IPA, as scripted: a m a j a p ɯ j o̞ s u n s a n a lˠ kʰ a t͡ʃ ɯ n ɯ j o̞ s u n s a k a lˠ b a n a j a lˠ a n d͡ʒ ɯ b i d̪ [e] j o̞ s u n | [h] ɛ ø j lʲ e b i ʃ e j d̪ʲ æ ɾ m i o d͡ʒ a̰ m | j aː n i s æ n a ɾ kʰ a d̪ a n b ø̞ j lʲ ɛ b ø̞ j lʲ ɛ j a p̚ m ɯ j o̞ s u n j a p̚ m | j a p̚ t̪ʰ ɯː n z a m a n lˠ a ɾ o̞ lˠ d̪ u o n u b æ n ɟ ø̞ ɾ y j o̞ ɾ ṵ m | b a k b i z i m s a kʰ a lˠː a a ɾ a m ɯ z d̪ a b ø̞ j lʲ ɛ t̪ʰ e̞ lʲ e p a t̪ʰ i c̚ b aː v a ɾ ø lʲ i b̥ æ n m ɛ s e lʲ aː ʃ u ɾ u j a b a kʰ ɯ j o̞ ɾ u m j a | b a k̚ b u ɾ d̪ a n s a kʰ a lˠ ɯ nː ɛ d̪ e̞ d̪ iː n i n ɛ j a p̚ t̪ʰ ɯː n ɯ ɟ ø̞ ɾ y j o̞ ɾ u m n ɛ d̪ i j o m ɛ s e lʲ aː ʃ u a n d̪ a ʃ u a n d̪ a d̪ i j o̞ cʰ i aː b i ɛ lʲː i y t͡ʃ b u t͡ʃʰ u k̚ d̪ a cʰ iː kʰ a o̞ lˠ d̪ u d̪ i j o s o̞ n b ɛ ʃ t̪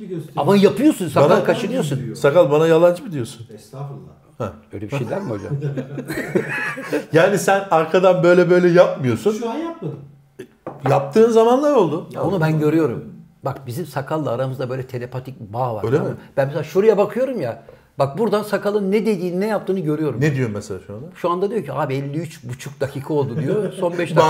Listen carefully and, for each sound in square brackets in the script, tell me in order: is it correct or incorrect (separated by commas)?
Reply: incorrect, correct